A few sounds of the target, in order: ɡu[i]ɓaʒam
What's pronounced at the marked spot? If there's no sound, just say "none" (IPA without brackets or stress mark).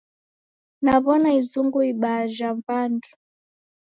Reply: i